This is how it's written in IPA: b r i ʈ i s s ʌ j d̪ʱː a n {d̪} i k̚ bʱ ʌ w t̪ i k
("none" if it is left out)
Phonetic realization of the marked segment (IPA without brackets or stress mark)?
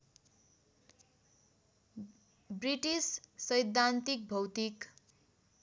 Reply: t̪